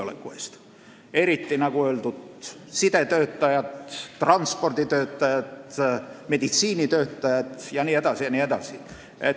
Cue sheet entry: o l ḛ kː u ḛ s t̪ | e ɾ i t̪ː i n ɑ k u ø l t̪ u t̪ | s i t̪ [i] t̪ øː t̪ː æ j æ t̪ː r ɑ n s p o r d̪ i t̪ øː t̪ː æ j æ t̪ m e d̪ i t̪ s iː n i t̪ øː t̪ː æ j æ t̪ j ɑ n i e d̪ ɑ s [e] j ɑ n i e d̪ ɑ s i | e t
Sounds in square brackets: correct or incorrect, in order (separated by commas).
incorrect, incorrect